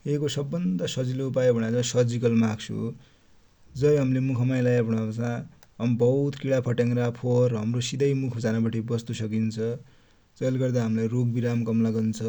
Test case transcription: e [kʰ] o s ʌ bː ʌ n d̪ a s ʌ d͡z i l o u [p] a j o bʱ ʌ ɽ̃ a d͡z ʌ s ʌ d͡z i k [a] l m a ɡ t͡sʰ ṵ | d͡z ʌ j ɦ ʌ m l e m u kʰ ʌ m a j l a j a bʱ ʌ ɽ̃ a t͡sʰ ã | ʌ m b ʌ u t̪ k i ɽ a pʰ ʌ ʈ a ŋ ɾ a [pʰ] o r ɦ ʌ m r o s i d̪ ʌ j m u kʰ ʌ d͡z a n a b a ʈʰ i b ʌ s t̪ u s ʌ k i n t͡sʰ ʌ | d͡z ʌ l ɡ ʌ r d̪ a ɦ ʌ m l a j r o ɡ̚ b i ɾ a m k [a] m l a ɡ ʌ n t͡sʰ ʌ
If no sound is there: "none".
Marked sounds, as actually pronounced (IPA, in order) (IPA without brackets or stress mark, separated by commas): k, p, ʌ, pʰ, ʌ